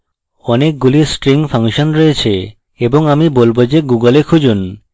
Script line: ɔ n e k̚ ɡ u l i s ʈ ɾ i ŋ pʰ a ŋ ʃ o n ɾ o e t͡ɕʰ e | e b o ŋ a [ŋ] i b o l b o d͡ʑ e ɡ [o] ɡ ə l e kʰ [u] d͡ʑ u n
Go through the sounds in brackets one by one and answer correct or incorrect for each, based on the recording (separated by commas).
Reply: incorrect, incorrect, correct